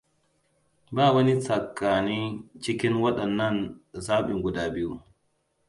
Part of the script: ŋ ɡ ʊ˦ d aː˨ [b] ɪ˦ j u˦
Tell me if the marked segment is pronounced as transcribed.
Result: yes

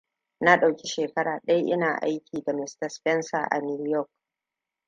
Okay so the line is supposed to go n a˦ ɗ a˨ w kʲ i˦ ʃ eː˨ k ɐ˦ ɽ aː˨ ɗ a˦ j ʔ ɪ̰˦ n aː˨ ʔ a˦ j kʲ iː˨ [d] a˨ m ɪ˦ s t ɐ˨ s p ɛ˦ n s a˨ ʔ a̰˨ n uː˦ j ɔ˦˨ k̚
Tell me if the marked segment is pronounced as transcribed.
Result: yes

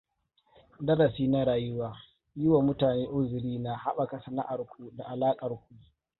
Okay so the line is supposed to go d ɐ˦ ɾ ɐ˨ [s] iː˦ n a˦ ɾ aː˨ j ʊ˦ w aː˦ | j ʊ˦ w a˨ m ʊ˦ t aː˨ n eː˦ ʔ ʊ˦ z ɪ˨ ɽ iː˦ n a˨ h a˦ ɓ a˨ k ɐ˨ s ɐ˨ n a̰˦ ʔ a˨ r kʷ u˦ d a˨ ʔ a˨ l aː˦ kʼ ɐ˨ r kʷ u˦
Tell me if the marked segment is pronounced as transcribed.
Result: yes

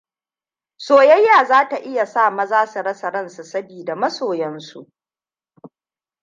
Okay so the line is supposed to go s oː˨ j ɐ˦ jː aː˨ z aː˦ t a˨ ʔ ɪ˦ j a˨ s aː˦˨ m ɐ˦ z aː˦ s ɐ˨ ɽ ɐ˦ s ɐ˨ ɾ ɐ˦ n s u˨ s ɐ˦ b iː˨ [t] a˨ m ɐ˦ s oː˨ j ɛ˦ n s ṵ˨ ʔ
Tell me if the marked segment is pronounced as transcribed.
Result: no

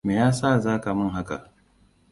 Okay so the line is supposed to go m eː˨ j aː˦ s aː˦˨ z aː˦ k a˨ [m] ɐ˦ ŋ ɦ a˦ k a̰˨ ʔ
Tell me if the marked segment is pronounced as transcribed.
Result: yes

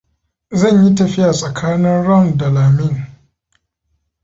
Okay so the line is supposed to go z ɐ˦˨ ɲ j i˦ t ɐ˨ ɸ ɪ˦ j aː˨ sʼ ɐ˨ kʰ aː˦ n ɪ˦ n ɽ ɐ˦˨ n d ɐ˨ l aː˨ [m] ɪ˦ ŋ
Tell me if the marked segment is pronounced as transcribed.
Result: yes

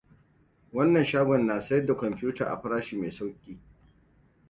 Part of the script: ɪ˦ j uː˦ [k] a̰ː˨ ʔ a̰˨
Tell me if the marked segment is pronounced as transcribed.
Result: no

